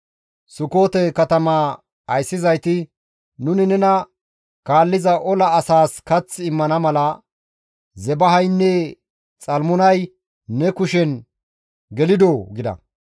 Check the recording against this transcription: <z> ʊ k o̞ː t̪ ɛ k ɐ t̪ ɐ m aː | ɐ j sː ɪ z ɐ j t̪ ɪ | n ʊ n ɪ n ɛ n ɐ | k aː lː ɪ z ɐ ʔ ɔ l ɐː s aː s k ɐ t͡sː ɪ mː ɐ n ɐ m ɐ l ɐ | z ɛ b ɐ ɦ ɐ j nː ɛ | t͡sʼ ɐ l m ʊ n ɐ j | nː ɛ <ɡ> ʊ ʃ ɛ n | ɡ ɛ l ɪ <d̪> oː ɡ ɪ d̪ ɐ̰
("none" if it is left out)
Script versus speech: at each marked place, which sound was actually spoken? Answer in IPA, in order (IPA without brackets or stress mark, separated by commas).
s, k, d̪